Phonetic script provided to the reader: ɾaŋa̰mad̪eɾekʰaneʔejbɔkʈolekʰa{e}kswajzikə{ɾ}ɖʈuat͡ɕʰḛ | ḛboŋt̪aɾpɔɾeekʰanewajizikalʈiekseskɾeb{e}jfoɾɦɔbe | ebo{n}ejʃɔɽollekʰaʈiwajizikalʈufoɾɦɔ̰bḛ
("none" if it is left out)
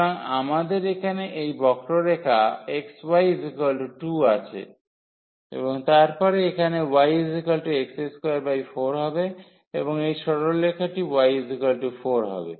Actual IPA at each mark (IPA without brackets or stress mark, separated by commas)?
e, l, a, ŋ